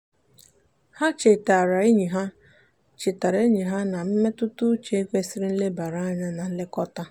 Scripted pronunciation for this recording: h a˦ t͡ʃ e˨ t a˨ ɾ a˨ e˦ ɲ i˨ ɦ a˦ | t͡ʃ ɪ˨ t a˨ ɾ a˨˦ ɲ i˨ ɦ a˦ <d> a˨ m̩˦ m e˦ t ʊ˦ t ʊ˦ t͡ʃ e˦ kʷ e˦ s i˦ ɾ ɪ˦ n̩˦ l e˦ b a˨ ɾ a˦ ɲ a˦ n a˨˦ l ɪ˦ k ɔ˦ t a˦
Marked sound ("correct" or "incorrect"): incorrect